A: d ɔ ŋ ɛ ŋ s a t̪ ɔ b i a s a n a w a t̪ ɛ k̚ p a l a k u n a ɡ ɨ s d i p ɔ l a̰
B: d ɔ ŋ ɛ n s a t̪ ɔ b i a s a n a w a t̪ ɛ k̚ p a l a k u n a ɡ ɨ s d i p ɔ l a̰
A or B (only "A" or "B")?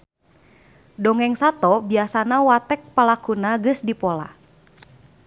A